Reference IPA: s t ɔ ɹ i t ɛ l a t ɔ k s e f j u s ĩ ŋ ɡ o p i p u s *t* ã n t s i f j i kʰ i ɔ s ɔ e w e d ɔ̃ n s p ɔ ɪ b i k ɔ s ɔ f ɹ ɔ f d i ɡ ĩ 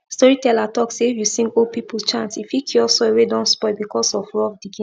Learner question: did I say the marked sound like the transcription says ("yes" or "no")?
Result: no